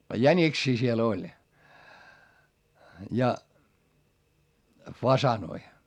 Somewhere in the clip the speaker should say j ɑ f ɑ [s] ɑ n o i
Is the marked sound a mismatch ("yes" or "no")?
no